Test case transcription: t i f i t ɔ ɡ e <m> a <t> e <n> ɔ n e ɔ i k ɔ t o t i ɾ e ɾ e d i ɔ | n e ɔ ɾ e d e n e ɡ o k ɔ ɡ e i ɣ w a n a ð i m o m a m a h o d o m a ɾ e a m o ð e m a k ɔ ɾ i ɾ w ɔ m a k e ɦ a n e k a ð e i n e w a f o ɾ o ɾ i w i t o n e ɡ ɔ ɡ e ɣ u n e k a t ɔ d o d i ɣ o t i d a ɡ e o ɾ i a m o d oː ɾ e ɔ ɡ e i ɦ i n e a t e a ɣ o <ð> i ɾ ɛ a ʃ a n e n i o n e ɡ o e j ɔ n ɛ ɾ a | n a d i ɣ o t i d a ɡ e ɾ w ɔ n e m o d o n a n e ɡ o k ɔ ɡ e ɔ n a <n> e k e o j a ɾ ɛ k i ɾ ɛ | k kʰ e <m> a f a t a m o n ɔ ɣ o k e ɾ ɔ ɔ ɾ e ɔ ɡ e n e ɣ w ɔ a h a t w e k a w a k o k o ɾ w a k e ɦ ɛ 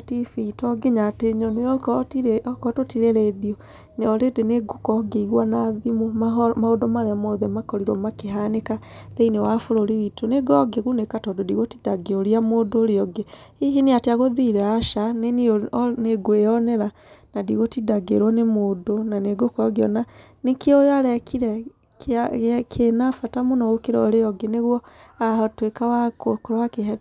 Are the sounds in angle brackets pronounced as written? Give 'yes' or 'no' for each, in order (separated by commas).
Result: no, yes, no, yes, yes, no